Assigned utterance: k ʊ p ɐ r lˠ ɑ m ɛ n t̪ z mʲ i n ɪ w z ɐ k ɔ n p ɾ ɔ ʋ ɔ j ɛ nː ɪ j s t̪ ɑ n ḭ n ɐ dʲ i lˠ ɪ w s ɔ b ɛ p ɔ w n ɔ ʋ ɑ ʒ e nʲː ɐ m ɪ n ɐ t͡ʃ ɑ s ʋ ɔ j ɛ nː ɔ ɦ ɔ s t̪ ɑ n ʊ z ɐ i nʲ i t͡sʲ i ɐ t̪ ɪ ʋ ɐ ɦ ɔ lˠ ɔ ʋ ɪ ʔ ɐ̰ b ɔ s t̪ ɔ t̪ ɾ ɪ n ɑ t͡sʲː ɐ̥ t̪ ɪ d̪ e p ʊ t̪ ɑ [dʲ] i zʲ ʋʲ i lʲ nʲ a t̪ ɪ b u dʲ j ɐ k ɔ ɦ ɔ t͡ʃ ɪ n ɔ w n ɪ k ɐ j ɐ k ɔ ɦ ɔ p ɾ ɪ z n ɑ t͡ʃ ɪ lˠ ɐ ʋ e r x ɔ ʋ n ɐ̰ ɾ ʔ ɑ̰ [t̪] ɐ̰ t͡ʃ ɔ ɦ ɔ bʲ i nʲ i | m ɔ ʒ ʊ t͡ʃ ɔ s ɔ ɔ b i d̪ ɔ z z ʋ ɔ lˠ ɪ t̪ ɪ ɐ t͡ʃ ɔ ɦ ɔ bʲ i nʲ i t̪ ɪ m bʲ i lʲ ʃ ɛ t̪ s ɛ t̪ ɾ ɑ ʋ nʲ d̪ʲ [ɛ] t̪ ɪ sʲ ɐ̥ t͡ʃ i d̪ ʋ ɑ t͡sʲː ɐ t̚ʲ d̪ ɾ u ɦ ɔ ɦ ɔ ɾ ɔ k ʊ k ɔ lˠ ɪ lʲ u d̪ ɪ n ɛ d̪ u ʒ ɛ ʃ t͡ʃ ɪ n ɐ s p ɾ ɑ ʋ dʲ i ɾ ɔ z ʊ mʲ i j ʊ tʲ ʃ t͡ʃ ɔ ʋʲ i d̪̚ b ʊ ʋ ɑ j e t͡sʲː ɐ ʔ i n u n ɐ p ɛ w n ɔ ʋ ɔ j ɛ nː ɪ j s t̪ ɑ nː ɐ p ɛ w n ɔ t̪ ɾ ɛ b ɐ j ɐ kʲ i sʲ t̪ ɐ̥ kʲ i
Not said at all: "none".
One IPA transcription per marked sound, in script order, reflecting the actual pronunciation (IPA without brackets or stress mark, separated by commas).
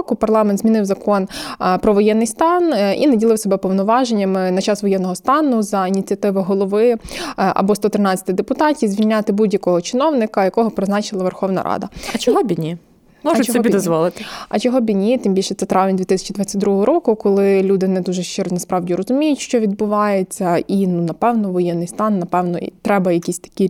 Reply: tʲ, d̪, i